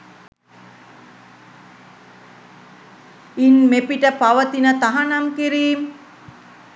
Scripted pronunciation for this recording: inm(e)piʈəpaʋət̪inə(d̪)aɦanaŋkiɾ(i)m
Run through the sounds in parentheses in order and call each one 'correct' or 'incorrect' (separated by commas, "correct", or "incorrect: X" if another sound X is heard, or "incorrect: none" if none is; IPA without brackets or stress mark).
correct, incorrect: t̪, incorrect: iː